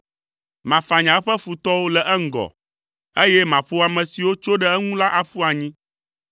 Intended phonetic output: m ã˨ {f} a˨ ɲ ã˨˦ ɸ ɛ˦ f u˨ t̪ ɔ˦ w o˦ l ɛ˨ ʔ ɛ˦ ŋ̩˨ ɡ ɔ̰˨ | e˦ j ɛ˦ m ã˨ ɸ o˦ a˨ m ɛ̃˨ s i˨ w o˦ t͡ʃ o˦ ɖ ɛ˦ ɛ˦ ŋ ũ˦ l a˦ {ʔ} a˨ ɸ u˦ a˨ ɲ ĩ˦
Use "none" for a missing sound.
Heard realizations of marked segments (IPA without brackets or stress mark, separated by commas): f, ʔ